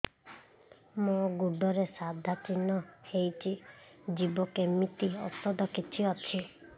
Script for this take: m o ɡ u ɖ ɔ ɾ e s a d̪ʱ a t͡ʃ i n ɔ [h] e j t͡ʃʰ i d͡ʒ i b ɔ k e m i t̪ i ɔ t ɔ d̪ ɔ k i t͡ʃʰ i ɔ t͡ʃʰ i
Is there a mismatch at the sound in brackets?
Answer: no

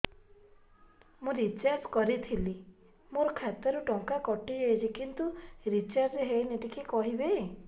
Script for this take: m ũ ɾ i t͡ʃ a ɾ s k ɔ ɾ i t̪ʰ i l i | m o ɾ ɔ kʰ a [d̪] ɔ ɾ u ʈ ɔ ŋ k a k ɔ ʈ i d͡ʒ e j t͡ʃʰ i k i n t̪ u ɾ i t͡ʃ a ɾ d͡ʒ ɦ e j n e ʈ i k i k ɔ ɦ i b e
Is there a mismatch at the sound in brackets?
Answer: yes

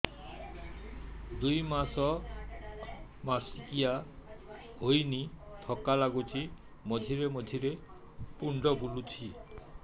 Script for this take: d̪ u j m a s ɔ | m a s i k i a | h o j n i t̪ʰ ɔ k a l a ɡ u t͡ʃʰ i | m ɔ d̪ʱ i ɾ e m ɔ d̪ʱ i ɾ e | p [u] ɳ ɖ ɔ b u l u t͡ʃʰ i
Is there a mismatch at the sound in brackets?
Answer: no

